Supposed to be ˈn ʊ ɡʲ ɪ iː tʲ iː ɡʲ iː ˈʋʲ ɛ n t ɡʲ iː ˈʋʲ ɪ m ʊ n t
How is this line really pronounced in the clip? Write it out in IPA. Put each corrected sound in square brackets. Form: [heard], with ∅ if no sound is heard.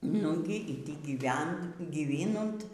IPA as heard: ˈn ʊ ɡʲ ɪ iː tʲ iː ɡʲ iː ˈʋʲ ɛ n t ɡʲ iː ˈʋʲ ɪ [n] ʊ n t